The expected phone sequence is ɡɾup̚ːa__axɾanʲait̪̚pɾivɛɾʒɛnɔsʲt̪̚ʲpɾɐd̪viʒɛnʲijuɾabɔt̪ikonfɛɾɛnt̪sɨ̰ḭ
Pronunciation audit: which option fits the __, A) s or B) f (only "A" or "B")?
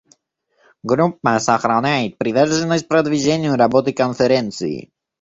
A